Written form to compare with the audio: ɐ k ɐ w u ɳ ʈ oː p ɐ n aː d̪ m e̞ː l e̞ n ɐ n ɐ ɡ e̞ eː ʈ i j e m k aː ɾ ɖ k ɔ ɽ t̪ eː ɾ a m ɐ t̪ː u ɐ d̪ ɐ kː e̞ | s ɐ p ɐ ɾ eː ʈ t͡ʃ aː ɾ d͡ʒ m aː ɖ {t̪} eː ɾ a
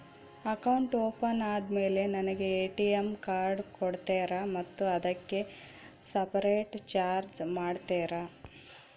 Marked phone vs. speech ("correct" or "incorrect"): correct